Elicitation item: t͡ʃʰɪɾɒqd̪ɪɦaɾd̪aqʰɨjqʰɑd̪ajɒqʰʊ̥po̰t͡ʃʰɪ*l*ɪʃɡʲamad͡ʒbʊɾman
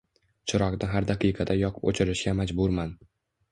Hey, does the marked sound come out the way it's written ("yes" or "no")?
no